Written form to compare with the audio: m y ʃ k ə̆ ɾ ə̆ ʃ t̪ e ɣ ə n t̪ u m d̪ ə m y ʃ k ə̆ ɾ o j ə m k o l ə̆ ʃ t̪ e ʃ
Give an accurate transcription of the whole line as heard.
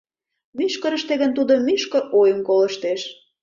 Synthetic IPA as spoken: m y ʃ k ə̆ ɾ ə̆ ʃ t̪ e ɣ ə n t̪ u d̪ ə m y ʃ k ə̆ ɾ o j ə m k o l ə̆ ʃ t̪ e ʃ